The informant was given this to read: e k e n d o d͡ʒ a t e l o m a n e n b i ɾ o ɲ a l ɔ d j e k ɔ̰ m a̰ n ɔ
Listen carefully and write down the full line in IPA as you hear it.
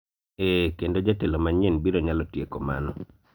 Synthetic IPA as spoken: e k e n d o d͡ʒ a t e l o m a ɲ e n b i ɾ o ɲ a l ɔ t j e k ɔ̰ m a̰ n ɔ